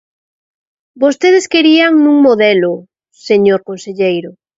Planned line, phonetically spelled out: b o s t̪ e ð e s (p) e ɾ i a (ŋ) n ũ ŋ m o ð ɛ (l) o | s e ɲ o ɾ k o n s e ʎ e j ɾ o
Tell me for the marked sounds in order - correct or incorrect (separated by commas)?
incorrect, correct, correct